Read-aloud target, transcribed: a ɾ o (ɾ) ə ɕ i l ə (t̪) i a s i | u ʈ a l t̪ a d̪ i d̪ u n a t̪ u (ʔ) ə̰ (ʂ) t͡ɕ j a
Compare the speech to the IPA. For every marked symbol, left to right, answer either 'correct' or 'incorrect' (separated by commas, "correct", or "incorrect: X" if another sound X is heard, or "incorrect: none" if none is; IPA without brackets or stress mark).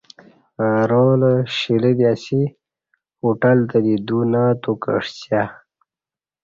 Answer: incorrect: l, incorrect: d̪, incorrect: k, correct